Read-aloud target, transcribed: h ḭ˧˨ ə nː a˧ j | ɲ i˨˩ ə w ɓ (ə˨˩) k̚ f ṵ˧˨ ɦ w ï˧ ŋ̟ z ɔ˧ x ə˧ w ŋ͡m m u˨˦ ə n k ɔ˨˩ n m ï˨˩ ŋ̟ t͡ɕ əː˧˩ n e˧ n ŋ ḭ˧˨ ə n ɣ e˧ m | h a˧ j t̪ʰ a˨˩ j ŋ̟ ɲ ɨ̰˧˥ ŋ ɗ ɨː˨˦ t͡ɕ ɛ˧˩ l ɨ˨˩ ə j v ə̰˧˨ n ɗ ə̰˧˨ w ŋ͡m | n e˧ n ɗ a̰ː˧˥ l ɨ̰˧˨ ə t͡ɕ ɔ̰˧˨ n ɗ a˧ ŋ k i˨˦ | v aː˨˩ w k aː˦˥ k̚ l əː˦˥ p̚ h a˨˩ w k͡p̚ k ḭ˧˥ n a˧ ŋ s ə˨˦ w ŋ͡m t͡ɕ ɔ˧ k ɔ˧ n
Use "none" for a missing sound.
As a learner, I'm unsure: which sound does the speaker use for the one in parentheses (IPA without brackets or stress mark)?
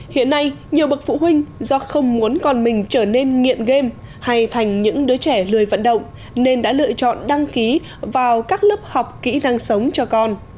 ə˨˩